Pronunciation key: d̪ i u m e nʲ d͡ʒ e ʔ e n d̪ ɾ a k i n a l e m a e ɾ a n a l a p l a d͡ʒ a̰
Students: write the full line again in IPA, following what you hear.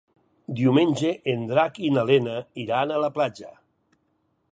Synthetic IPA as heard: d̪ i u m e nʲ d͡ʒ e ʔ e n d̪ ɾ a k i n a l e n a i ɾ a n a l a p l a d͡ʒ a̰